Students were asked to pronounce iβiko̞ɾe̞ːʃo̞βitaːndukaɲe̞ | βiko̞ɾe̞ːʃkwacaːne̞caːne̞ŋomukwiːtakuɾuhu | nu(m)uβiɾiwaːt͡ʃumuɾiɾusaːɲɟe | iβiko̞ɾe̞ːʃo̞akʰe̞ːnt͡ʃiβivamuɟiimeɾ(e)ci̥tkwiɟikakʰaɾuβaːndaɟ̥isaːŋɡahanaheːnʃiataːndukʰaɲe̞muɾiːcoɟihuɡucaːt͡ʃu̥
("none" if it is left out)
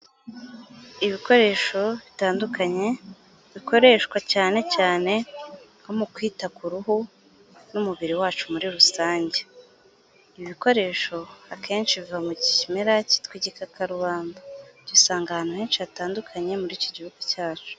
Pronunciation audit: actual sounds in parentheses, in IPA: m, a

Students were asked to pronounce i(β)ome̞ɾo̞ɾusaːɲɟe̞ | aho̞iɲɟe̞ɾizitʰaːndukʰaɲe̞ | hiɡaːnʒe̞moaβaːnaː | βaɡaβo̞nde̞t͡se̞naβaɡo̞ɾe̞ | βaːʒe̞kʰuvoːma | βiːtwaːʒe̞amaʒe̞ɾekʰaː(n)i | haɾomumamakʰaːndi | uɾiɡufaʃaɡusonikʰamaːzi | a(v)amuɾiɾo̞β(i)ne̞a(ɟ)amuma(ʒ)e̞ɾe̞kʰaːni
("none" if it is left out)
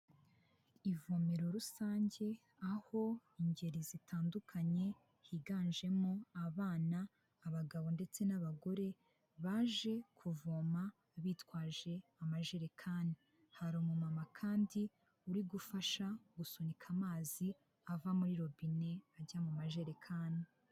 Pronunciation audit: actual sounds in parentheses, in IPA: v, n, v, i, ɟ, ʒ

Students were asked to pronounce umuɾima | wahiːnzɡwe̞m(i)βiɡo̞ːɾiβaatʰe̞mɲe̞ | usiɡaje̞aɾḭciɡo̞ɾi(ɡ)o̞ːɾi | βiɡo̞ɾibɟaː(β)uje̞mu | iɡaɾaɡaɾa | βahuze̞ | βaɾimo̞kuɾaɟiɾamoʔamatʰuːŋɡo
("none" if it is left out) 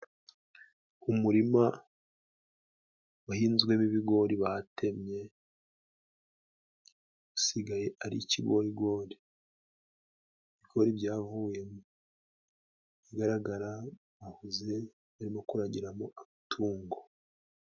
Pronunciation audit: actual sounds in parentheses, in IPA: i, ɡ, v

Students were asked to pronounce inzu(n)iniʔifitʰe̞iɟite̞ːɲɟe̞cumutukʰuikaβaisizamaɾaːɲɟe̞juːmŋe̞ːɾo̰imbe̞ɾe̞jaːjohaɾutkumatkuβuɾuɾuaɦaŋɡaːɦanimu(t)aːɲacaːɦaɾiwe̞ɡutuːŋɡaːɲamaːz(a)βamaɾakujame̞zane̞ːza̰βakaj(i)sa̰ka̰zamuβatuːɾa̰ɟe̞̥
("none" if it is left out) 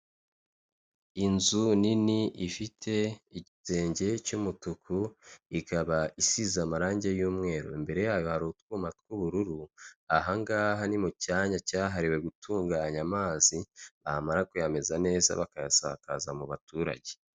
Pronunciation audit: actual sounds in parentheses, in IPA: n, c, i, a

